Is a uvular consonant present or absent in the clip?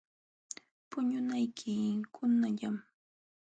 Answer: absent